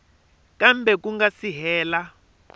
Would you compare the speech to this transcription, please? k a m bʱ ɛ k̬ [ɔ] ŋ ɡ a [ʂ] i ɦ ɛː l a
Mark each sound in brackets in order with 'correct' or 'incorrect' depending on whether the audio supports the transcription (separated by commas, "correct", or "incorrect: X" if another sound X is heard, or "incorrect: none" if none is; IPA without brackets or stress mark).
incorrect: u, incorrect: s